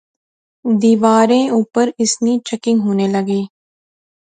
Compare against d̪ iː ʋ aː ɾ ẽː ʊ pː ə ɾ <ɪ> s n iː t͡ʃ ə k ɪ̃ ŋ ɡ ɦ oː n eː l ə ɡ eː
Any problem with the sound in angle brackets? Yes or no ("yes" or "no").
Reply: no